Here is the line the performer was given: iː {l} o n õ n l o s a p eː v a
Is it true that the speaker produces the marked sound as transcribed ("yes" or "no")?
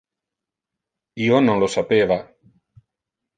no